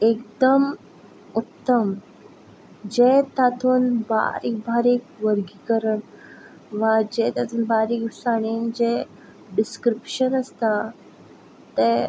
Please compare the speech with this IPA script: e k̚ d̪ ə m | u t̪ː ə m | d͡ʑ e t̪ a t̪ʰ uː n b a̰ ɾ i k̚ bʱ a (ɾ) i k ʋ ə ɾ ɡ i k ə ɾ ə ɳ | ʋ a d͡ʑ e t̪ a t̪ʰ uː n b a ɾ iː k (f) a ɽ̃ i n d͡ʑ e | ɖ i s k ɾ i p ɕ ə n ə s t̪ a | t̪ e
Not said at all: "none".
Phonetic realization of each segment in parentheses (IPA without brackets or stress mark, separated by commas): ɾ, s